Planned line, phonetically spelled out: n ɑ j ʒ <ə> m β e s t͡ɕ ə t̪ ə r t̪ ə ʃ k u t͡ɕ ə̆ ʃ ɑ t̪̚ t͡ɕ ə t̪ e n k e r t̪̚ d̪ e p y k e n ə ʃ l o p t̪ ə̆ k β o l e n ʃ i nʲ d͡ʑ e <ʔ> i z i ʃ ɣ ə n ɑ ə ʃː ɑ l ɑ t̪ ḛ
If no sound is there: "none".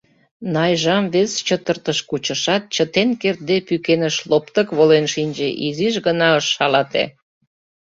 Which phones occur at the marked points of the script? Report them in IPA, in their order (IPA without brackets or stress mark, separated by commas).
ɑ, ʔ